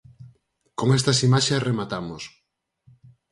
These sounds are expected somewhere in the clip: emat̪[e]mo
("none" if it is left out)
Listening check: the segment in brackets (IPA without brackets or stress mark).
a